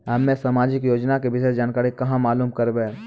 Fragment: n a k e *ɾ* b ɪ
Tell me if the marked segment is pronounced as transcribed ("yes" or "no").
no